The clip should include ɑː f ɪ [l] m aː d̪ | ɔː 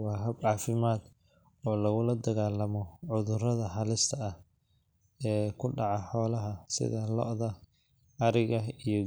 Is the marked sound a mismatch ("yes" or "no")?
yes